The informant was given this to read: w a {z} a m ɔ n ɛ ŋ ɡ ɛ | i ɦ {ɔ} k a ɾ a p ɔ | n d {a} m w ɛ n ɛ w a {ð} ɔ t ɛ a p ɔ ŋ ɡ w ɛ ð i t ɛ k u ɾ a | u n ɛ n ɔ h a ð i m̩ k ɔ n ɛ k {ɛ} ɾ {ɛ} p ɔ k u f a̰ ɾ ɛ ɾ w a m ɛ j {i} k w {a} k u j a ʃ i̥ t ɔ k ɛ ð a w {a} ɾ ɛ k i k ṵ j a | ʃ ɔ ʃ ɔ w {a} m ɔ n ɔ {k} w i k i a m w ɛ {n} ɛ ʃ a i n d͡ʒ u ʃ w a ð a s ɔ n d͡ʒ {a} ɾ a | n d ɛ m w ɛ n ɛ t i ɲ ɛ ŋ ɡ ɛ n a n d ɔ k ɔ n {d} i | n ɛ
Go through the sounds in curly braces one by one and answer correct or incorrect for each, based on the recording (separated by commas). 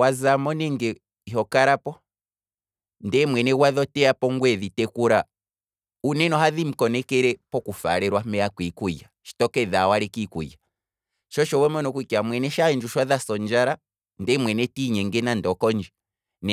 correct, correct, incorrect, correct, correct, correct, incorrect, incorrect, correct, incorrect, correct, correct, correct, incorrect